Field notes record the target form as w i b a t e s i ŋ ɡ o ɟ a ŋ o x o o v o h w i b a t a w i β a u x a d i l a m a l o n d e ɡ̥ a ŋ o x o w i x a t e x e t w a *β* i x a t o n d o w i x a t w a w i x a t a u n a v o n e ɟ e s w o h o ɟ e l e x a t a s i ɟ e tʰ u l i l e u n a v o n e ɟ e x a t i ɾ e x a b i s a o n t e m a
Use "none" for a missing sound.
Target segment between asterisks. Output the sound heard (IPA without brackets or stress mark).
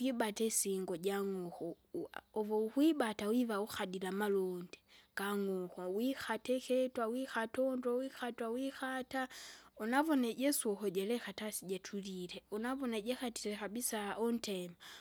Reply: w